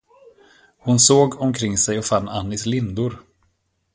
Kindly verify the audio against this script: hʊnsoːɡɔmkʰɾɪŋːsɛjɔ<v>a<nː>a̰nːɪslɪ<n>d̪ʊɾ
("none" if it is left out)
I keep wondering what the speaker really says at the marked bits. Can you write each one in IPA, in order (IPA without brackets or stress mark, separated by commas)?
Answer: f, nː, n